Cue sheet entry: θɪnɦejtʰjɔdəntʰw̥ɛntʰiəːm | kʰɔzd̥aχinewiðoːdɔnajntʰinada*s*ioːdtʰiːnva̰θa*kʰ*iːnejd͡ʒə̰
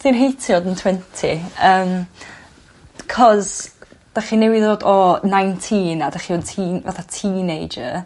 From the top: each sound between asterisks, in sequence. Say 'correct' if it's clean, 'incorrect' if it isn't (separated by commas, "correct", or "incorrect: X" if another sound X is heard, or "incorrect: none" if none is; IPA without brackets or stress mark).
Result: incorrect: χ, incorrect: tʰ